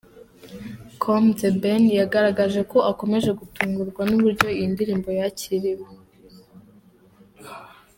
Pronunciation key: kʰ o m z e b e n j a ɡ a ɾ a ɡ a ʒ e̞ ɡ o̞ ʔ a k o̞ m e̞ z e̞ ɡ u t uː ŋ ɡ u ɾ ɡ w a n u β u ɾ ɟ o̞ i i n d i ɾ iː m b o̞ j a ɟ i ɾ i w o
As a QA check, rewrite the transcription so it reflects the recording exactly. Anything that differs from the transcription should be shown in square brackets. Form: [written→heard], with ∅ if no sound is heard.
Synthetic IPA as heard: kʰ o m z e b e n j a ɡ a ɾ a ɡ a ʒ e̞ [ɡ→k] o̞ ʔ a k o̞ m e̞ [z→ʒ] e̞ ɡ u t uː ŋ ɡ u ɾ ɡ w a n u β u ɾ ɟ o̞ i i n d i ɾ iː m b o̞ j a [ɟ→c] i ɾ i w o